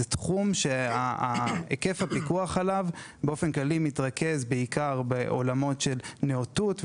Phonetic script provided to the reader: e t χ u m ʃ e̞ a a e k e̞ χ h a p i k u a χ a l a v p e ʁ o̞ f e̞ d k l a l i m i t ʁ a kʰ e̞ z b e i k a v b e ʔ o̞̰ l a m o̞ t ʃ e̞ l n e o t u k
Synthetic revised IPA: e t χ u m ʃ e̞ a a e k e̞ f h a p i k u a χ a l a v b e o̞ f e̞ n k l a l i m i t ʁ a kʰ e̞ z b e i k a ʁ b e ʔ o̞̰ l a m o̞ t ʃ e̞ l n e o t u t